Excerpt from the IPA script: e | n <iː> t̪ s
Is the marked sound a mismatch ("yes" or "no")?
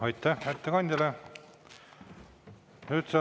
yes